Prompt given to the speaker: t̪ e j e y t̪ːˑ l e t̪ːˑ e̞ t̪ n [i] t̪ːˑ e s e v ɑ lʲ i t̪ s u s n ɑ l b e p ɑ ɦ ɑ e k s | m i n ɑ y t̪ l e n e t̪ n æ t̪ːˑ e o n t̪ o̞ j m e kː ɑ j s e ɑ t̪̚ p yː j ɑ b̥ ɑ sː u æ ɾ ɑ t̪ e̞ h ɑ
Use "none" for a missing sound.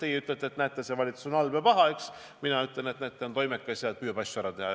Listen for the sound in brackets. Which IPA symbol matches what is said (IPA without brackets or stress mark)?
æ